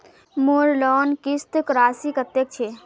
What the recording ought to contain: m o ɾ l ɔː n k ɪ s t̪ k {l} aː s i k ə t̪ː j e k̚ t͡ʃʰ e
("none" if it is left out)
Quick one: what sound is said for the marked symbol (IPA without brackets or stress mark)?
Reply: ɾ